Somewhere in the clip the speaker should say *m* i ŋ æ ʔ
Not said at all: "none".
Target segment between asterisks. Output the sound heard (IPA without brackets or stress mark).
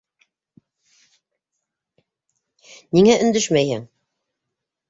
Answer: n